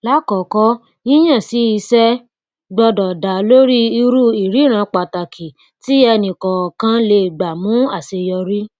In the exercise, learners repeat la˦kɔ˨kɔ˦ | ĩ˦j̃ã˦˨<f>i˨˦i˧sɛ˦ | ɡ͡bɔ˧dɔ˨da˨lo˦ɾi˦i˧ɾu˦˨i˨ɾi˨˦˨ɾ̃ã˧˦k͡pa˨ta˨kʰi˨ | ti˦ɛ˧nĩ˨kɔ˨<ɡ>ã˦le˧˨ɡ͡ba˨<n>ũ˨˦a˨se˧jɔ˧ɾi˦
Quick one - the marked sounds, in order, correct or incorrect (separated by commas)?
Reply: incorrect, incorrect, incorrect